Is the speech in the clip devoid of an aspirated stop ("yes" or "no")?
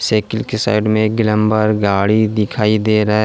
no